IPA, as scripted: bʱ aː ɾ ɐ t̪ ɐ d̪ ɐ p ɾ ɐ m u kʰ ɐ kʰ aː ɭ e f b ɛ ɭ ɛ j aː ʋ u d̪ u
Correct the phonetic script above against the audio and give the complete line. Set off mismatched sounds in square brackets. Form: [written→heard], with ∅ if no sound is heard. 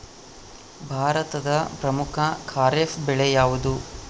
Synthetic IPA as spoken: bʱ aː ɾ ɐ t̪ ɐ d̪ ɐ p ɾ ɐ m u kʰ ɐ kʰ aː [ɭ→ɾ] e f b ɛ ɭ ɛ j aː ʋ u d̪ u